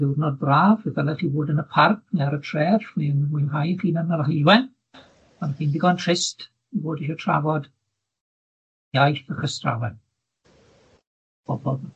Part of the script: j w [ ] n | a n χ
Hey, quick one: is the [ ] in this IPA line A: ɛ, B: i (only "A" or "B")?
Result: A